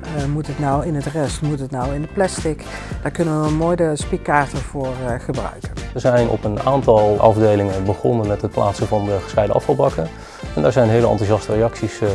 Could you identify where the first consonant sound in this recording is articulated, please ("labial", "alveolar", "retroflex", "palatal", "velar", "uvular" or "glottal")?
labial